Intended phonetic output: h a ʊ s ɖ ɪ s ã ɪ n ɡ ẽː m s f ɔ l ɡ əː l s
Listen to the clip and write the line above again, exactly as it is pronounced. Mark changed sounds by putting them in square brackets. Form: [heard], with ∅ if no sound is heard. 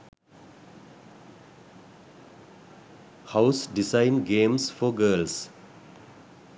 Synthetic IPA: h a ʊ s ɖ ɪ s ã ɪ n ɡ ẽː m s f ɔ [∅] ɡ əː l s